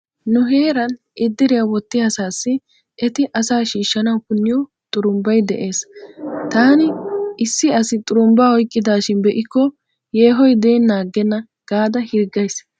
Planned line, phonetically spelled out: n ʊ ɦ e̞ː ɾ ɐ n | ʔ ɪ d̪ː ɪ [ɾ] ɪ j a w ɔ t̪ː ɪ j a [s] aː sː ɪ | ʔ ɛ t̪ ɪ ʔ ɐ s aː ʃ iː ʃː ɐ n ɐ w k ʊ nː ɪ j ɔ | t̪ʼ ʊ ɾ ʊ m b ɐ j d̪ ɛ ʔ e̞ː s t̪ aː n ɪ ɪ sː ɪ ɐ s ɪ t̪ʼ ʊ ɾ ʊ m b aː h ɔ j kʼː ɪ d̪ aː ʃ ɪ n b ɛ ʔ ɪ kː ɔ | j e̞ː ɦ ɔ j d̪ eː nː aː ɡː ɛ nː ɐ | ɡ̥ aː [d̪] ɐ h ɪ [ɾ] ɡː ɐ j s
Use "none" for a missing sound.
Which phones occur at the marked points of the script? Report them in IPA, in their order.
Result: ɾ, s, d̪, ɾ

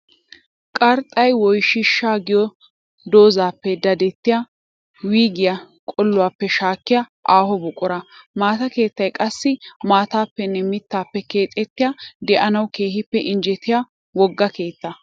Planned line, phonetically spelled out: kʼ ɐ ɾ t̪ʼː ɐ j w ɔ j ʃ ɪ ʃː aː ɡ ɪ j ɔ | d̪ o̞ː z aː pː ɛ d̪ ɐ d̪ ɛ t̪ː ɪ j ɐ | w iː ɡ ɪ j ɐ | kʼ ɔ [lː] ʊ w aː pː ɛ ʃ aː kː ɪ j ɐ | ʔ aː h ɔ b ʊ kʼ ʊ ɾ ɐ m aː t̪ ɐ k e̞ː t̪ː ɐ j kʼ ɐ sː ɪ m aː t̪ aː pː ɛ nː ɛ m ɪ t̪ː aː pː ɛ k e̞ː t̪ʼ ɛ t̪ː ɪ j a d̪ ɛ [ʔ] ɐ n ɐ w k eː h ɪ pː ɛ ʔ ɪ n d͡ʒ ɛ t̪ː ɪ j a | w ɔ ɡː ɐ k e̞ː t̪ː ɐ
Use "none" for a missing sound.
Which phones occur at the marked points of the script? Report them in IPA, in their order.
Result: lː, ʔ

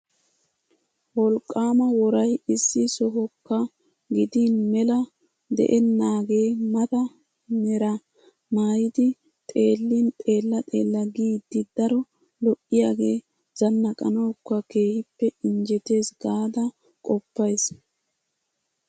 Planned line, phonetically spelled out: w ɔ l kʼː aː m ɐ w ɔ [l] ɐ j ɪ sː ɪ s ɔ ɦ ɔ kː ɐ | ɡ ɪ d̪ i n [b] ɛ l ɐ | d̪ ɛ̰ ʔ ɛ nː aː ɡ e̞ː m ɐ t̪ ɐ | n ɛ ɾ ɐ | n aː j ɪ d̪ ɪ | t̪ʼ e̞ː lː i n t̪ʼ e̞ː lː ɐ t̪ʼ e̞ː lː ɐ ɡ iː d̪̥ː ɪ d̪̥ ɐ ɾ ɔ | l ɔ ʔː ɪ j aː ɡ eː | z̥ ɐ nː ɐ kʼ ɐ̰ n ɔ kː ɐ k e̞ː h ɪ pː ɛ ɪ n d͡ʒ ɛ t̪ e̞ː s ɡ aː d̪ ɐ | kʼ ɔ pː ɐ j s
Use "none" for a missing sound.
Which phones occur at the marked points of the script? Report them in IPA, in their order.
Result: ɾ, m

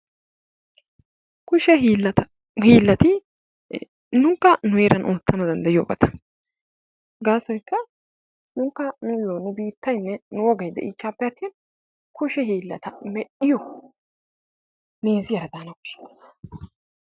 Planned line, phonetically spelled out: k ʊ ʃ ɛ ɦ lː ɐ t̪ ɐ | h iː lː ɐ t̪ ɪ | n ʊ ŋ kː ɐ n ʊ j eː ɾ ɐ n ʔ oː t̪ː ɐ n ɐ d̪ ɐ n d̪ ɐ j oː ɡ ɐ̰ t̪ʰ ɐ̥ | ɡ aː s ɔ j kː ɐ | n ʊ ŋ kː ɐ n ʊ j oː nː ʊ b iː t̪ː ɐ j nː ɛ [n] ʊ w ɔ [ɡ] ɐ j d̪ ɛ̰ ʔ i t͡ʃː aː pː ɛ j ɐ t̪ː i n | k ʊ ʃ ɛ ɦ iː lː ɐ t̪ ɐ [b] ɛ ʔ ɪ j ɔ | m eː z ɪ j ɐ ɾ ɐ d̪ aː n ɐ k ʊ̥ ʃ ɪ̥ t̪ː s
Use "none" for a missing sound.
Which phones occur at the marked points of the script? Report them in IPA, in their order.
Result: n, ɡ, m

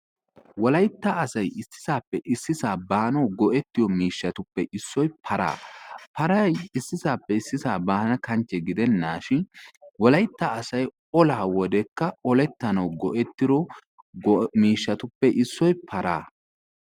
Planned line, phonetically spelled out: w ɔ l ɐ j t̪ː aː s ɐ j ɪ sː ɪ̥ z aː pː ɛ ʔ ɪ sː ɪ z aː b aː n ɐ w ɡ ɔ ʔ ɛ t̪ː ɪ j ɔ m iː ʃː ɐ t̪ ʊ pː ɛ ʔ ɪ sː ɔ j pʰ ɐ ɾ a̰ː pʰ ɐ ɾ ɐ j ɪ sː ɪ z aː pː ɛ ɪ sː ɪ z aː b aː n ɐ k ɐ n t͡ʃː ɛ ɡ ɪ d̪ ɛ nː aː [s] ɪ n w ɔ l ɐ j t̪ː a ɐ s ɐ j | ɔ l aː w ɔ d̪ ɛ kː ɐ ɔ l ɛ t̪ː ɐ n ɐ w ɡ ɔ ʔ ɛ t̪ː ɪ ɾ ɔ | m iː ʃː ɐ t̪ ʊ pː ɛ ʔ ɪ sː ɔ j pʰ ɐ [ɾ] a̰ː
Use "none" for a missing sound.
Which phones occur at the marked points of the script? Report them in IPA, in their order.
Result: ʃ, ɾ

